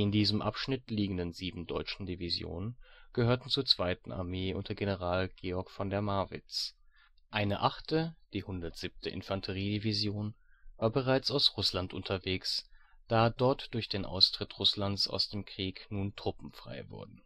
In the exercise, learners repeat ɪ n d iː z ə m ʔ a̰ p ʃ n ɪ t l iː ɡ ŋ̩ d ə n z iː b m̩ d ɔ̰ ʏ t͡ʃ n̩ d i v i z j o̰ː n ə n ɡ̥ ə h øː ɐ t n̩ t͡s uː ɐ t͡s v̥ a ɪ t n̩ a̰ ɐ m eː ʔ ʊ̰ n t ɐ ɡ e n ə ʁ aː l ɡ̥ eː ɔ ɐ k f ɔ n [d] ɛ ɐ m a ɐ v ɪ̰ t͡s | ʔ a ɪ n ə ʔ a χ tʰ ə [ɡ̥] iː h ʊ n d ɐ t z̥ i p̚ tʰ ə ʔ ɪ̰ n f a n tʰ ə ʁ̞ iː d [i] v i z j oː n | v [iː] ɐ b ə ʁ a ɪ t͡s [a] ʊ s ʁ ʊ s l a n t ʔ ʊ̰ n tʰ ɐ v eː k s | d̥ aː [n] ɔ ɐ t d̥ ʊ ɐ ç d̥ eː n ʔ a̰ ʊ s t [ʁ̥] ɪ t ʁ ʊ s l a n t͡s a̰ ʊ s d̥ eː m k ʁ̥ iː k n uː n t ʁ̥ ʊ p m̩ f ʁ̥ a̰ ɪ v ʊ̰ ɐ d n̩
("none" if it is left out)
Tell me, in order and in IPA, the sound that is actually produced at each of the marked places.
d, d̥, i, aː, a, d, ʁ̥

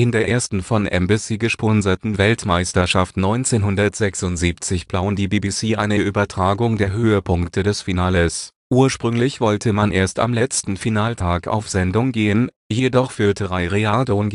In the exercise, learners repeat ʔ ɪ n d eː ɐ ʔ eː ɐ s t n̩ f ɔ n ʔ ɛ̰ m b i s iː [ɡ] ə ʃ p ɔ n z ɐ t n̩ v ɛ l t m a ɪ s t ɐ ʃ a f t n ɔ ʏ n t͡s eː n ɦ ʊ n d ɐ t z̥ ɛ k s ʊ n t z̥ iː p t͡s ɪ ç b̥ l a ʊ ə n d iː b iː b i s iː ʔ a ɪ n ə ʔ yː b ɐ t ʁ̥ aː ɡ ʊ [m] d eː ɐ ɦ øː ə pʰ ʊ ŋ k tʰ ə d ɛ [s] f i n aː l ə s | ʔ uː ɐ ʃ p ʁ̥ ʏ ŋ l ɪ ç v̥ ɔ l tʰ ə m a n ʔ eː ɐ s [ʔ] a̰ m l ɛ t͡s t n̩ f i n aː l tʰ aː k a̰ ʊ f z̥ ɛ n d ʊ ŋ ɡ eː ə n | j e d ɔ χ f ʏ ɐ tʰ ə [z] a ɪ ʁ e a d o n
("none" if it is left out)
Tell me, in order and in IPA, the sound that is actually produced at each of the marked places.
ɡ, ŋ, s, t, ʁ

